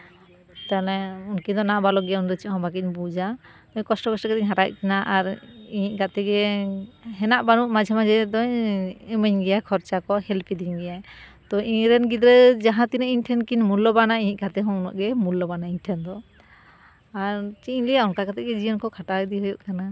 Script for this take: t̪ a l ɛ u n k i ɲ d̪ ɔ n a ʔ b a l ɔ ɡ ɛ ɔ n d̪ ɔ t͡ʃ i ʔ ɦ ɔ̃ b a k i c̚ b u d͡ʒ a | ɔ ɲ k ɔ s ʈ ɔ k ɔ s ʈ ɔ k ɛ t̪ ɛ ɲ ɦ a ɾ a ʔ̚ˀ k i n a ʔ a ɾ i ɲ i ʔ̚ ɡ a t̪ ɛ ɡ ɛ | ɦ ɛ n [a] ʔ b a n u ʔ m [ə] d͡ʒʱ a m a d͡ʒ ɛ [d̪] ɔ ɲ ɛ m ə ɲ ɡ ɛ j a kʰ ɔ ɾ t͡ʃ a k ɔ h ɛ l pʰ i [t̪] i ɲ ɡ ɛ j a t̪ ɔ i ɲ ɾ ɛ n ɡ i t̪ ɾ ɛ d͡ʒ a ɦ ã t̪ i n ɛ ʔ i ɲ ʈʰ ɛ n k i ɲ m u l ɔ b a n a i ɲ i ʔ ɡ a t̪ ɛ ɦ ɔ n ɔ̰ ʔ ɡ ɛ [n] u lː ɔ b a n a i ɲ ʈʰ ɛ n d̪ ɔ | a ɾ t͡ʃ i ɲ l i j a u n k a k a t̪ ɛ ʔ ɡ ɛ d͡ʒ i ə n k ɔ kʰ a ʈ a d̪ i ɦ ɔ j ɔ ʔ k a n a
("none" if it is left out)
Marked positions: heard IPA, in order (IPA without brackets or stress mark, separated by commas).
a, a, d̪, d̪, m